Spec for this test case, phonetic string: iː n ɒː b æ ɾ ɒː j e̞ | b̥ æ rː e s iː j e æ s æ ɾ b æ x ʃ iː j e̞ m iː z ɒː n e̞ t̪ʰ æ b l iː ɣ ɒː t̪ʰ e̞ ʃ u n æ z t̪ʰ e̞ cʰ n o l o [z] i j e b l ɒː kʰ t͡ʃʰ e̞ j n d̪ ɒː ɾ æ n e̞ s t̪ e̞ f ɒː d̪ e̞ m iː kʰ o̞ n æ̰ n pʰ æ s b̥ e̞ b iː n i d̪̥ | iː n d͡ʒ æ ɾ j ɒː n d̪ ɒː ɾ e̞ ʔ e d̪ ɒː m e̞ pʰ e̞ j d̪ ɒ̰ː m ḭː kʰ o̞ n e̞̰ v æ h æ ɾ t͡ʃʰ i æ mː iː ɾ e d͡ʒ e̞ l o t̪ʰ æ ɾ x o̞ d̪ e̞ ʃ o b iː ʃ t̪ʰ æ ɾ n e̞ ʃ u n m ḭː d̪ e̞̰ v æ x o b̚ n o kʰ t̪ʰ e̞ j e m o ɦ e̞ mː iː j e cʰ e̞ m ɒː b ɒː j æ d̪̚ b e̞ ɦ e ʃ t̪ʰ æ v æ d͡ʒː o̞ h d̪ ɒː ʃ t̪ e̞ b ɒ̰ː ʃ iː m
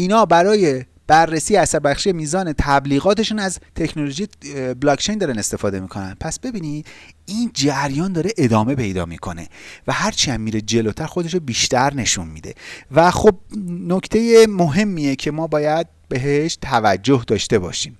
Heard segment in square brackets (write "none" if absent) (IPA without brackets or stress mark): ʒ